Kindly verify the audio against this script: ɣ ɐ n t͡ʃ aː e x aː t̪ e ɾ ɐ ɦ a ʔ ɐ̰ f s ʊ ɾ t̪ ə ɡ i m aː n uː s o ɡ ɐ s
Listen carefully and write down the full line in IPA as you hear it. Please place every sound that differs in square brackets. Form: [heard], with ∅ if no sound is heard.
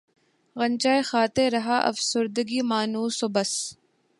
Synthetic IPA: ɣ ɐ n t͡ʃ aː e x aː t̪ e ɾ ɐ ɦ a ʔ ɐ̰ f s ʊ ɾ [d̪] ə ɡ i m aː n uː s o [b] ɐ s